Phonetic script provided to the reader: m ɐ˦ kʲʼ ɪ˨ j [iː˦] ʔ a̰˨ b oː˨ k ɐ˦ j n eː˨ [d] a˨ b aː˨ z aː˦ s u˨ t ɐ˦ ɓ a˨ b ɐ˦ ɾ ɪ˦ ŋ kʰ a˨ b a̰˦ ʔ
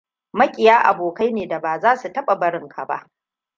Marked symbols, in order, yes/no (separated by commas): no, yes